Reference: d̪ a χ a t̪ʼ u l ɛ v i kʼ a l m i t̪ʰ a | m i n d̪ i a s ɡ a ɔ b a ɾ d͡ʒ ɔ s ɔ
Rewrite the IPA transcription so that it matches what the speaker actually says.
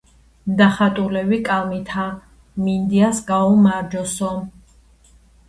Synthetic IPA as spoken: d̪ a χ a t̪ʼ u l ɛ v i kʼ a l m i t̪ʰ a | m i n d̪ i a s ɡ a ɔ m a ɾ d͡ʒ ɔ s ɔ